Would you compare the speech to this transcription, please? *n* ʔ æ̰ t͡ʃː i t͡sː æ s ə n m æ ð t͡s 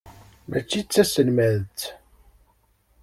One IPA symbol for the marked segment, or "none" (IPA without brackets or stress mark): m